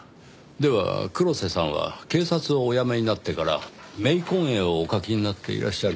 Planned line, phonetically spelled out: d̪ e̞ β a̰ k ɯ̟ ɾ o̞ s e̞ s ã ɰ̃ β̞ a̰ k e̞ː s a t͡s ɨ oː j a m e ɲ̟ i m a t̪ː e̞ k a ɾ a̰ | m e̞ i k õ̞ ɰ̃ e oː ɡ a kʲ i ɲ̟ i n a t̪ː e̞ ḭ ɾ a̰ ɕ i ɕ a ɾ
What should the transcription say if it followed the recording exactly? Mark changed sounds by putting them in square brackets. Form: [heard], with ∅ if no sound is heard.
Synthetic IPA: d̪ e̞ β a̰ k ɯ̟ ɾ o̞ s e̞ s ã ɰ̃ β̞ a̰ k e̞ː s a t͡s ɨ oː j a m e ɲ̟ i [n] a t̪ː e̞ k a ɾ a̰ | m e̞ i k õ̞ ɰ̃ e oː [k] a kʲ i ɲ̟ i n a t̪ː e̞ ḭ ɾ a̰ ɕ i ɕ a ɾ